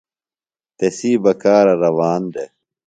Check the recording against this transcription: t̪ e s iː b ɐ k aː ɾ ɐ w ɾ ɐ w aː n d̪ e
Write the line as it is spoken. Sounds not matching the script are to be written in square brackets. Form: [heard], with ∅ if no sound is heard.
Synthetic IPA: t̪ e s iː b ɐ k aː ɾ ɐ [∅] ɾ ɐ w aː n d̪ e

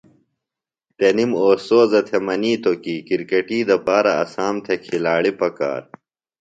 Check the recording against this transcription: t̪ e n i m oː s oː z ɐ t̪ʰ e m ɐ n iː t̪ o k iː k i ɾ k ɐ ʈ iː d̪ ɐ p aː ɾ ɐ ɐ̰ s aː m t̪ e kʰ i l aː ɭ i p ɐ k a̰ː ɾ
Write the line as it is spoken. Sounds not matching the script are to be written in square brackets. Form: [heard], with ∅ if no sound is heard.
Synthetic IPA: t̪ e n i m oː s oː z ɐ t̪ʰ e m ɐ n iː t̪ o k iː k i ɾ k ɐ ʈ iː d̪ ɐ p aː ɾ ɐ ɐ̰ s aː m [t̪ʰ] e kʰ i l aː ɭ i p ɐ k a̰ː ɾ

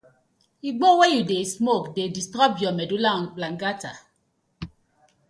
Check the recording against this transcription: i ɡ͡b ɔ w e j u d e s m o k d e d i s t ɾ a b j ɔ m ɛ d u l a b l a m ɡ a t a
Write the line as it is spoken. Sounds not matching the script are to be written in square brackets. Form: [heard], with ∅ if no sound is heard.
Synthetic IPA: i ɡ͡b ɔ w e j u d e s m o k d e d i s t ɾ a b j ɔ m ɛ d u l a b l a [ŋ] ɡ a t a

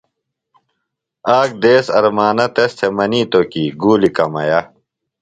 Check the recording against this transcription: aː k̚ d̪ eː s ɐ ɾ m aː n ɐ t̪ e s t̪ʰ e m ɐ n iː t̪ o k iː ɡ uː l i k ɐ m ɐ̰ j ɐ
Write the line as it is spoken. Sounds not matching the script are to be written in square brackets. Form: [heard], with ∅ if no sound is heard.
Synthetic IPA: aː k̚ d̪ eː s ɐ ɾ m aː n ɐ t̪ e s t̪ʰ e m ɐ n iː t̪ o k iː ɡ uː l i k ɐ m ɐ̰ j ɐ

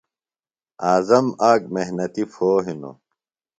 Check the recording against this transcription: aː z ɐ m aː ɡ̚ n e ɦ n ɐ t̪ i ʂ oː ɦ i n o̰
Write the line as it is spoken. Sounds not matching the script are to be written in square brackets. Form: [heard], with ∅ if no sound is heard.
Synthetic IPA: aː z ɐ m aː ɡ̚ [m] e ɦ n ɐ t̪ i [f] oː ɦ i n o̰

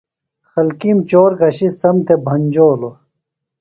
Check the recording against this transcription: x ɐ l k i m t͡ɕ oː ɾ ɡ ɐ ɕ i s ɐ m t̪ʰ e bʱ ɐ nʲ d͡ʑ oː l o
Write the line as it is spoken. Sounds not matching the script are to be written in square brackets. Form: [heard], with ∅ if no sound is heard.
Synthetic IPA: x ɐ l k i m t͡ɕ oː ɾ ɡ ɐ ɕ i s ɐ m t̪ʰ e bʱ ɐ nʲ d͡ʑ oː l o

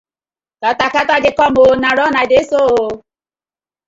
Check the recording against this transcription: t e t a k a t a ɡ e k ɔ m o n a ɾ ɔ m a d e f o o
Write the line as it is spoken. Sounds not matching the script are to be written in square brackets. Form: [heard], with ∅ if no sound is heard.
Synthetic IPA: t [a] t a k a t a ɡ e k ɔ m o n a ɾ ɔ [n] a d e [s] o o

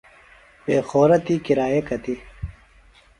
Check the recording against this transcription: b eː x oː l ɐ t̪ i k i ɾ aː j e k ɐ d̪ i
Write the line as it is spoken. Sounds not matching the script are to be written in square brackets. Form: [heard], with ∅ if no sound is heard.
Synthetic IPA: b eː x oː [ɾ] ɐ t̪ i k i ɾ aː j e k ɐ [t̪] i

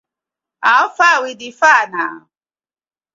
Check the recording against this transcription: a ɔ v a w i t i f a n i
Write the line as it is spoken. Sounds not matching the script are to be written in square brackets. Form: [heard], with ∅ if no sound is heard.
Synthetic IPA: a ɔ [f] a w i [d] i f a n [a]

